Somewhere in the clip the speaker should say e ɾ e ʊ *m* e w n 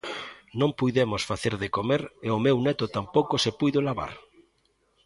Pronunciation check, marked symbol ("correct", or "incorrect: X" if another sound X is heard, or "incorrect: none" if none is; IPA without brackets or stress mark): correct